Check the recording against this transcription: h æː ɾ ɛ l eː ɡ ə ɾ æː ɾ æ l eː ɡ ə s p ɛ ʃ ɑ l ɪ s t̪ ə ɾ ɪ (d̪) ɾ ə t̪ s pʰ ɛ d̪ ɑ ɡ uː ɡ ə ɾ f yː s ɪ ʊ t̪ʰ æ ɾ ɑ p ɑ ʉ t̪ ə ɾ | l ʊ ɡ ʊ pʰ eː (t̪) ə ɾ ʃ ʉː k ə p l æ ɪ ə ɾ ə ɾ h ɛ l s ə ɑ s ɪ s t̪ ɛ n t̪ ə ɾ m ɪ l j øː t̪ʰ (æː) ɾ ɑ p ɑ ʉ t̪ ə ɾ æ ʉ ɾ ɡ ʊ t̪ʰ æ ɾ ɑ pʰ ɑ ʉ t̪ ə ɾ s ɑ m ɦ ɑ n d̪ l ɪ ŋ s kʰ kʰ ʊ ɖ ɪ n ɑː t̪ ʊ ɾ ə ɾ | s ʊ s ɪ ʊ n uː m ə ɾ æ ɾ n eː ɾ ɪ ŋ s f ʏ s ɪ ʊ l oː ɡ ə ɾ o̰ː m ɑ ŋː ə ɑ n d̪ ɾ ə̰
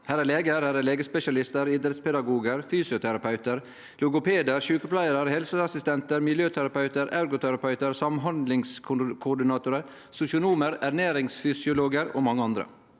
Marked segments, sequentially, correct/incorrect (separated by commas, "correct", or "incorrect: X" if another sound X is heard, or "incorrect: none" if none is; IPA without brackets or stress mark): correct, incorrect: d̪, incorrect: æ